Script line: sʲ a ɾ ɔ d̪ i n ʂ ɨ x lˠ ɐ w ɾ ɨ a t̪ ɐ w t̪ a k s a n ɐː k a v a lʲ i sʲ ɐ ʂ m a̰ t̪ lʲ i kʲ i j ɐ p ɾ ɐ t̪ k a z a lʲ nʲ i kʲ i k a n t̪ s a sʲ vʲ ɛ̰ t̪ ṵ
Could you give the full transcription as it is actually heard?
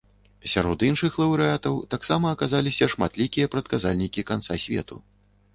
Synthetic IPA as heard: sʲ a ɾ ɔ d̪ i n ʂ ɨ x lˠ ɐ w ɾ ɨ a t̪ ɐ w t̪ a k s a m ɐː k a z a lʲ i sʲ ɐ ʂ m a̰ t̪ lʲ i kʲ i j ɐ p ɾ ɐ t̪ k a z a lʲ nʲ i kʲ i k a n t̪ s a sʲ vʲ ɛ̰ t̪ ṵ